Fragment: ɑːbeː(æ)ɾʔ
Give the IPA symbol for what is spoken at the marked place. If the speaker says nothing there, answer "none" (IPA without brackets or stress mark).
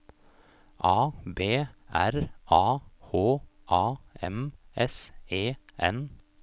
æ